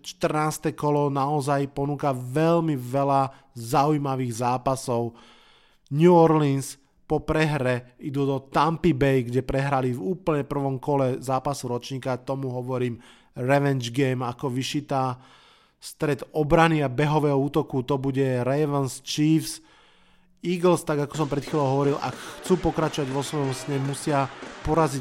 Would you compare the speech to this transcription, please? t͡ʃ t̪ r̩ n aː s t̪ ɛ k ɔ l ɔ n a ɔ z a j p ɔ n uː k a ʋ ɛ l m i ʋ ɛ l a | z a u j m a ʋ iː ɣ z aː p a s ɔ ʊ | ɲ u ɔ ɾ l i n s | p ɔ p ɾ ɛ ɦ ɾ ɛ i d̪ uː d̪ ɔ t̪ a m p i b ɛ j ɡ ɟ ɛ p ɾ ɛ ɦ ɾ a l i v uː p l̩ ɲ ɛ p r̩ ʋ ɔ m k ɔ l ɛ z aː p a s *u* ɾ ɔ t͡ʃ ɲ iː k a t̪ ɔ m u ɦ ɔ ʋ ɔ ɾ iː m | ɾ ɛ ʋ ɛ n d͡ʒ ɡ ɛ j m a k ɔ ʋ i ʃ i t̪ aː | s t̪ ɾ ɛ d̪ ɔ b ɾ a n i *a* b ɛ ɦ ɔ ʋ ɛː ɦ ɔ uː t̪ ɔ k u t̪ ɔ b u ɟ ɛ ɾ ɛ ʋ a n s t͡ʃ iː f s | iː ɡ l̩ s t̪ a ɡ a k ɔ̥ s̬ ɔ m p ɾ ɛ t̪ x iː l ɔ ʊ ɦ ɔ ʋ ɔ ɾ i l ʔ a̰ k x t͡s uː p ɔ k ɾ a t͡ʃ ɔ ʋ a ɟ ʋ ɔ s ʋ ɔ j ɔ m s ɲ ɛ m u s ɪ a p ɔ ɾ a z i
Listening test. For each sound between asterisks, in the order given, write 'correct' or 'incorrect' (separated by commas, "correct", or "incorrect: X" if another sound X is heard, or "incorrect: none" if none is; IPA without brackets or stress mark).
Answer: correct, correct